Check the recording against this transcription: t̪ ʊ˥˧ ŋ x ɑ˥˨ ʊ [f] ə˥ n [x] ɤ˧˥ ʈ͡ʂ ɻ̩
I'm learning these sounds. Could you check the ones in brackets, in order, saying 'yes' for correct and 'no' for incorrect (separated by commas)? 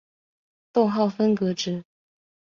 yes, no